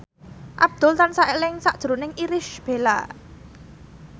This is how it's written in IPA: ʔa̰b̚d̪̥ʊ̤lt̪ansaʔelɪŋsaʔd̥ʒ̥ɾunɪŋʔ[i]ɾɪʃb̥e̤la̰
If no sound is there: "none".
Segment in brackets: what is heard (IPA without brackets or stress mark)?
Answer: i